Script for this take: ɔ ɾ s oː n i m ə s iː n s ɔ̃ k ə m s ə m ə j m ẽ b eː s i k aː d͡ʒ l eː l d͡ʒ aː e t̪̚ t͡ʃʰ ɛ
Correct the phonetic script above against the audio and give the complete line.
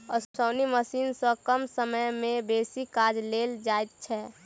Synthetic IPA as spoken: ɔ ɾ s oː n i m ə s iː n s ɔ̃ k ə m s ə m ə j m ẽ b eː s i k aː d͡ʒ l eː l d͡ʒ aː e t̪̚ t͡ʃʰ ɛ